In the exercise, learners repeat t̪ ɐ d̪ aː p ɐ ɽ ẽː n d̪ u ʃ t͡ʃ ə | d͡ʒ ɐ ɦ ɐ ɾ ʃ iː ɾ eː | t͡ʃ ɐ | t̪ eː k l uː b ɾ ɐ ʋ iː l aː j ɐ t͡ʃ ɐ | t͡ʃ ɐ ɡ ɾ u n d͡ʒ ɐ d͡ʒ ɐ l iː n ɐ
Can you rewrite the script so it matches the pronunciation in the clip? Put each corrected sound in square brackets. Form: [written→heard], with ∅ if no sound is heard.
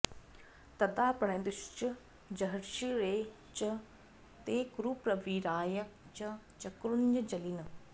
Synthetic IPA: t̪ ɐ d̪ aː p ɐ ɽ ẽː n d̪ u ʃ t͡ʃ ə | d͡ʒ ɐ ɦ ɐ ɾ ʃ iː ɾ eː | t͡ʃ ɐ | t̪ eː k [l→ɾ] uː [b→p] ɾ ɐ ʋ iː [l→ɾ] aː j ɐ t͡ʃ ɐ | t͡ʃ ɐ [ɡ→k] ɾ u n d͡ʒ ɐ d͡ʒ ɐ l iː n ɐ